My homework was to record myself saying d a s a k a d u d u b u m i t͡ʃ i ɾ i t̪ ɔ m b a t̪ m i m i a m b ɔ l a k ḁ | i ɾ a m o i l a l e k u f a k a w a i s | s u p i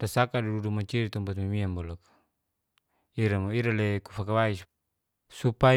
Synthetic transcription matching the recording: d a s a k a d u d u d u m a t͡ʃ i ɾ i t̪ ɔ m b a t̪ m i m i a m b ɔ l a k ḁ | i ɾ a m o i ɾ a l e k u f a k a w a i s | s u p a